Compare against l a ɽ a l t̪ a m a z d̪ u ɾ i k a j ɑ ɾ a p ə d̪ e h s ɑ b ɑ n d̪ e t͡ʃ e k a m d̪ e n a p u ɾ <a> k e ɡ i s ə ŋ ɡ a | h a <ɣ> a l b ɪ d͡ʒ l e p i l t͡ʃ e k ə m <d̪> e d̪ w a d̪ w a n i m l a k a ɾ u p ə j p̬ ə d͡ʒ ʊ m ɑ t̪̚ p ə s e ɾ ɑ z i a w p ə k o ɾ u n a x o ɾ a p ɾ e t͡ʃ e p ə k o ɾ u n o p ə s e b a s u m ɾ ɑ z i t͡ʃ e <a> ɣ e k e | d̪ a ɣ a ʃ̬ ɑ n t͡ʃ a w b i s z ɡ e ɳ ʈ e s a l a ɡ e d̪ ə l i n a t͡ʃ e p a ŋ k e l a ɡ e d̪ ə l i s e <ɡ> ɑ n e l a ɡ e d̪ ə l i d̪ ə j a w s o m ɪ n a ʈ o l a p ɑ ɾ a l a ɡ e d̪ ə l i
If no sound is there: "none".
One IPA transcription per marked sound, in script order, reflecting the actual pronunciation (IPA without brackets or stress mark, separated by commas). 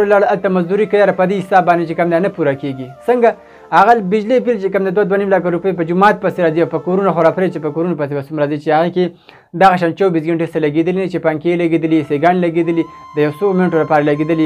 a, ɣ, d̪, a, ɡ